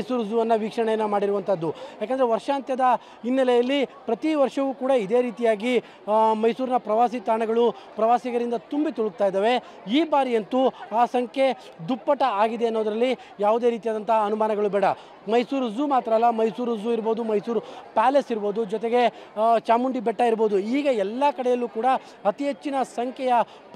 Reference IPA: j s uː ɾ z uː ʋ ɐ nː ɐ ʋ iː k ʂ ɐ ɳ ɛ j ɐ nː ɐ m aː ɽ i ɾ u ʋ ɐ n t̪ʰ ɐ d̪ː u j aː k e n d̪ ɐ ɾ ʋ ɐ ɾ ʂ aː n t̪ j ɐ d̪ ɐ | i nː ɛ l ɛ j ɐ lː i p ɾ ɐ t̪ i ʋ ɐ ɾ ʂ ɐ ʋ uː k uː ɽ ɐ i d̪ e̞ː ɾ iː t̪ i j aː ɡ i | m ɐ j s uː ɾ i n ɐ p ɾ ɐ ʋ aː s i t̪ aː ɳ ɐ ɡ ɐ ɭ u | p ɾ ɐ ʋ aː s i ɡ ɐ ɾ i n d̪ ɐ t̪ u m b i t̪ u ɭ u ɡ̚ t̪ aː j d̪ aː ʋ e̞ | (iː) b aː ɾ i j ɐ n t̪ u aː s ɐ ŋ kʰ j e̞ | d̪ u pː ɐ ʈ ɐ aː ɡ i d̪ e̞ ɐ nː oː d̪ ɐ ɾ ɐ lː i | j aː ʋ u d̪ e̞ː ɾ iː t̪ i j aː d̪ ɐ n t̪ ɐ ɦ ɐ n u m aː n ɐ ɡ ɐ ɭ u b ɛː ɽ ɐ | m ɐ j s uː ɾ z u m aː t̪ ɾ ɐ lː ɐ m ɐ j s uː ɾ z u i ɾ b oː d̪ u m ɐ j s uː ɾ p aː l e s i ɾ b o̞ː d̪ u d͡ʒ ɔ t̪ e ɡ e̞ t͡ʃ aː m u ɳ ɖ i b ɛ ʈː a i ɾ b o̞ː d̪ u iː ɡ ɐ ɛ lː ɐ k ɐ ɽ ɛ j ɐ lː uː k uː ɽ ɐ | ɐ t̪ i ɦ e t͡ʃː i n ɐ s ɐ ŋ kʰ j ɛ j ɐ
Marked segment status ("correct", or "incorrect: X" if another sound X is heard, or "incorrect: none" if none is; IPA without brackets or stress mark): correct